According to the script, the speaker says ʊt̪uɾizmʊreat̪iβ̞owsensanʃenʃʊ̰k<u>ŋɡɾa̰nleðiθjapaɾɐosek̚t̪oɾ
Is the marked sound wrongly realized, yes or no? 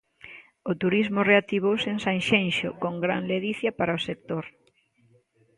yes